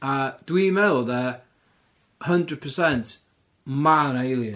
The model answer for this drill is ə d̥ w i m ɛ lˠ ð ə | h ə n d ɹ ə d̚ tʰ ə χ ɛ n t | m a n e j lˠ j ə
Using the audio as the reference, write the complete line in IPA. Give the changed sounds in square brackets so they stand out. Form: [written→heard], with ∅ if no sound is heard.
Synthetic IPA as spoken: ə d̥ w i m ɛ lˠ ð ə | h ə n d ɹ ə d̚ [tʰ→pʰ] ə [χ→s] ɛ n t | m a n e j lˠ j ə